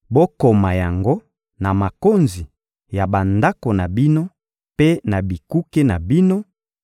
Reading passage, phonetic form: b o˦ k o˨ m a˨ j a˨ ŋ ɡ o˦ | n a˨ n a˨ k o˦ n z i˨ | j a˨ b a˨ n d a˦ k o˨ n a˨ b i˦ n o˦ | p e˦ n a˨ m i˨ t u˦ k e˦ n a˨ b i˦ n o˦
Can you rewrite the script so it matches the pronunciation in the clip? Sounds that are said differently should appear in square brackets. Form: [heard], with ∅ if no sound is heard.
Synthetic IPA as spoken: b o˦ k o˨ m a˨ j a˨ ŋ ɡ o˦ | n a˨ [m] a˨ k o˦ n z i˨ | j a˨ b a˨ n d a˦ k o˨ n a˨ b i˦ n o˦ | p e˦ n a˨ [b] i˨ [k] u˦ k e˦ n a˨ b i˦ n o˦